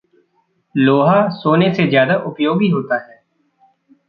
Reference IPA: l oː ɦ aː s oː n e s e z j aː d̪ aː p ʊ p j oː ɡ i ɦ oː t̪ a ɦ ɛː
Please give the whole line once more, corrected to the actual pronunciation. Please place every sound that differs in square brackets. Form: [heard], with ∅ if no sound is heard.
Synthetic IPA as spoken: l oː ɦ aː s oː n e s e z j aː d̪ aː [ʔ] ʊ p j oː ɡ i ɦ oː t̪ a ɦ ɛː